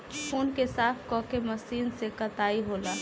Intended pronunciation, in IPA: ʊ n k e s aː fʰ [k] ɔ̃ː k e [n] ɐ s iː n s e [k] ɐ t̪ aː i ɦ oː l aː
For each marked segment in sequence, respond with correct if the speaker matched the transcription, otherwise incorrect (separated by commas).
correct, incorrect, correct